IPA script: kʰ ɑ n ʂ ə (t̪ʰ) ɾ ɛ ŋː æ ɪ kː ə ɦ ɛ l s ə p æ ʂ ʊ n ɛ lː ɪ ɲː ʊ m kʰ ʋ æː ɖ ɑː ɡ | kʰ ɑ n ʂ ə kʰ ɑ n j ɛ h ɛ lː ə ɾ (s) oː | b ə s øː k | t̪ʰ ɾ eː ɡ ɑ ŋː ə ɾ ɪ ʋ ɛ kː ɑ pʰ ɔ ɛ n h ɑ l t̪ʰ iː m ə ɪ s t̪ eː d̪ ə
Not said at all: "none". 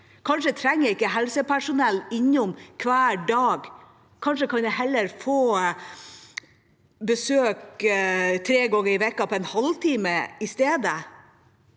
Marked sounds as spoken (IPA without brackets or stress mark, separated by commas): t̪ʰ, f